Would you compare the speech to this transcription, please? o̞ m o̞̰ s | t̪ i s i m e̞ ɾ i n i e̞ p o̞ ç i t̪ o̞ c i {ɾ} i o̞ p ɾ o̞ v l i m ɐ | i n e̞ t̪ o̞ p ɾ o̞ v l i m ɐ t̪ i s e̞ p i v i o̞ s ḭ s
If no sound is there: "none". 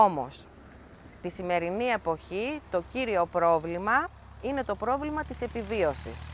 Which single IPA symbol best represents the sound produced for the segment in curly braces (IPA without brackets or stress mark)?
ɾ